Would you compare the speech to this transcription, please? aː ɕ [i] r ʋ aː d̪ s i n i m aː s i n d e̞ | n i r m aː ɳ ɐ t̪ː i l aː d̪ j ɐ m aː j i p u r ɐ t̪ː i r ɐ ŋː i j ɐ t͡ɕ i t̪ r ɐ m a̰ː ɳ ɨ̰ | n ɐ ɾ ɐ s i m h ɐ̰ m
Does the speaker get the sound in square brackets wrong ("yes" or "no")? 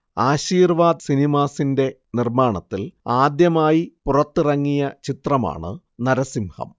yes